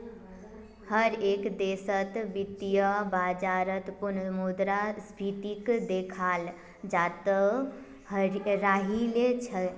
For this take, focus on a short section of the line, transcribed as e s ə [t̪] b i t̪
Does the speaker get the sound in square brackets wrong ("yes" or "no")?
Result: no